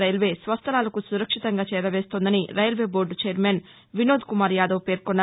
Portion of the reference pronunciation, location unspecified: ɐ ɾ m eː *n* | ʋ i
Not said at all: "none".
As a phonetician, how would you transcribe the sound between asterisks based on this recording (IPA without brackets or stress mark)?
n